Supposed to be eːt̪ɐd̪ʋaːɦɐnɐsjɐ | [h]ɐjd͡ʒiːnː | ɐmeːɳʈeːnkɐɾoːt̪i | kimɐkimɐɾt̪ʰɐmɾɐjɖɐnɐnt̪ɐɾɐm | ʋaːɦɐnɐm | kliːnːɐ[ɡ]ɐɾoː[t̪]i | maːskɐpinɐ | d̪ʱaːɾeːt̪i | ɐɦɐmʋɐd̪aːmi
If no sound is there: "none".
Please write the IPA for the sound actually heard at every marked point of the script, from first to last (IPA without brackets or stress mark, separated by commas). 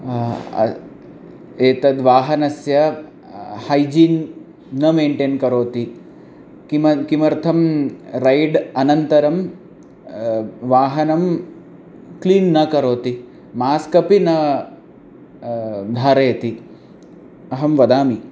h, k, t̪